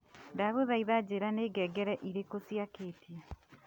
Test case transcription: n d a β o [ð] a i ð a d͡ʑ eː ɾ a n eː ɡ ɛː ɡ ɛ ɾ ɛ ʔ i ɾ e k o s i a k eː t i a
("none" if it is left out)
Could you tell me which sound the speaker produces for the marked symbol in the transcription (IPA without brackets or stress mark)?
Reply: ð